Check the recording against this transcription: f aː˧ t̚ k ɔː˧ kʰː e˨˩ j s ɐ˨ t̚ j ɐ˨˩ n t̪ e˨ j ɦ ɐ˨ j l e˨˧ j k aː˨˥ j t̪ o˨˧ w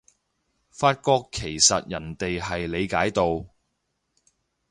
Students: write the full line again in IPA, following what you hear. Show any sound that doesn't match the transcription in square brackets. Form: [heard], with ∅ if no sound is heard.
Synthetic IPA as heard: f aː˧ t̚ k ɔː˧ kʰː e˨˩ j s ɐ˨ t̚ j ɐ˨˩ n t̪ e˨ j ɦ ɐ˨ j l e˨˧ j k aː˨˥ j t̪ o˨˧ w